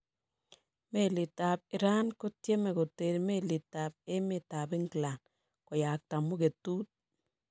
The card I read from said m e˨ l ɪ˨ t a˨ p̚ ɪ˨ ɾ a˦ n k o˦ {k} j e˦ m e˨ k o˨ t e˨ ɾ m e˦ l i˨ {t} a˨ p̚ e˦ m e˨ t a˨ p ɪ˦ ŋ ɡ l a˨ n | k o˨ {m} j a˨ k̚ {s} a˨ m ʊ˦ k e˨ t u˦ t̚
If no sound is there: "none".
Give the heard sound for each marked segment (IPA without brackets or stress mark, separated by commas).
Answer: t, t, none, t